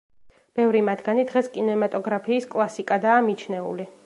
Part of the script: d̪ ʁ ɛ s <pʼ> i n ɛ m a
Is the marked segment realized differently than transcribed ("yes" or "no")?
yes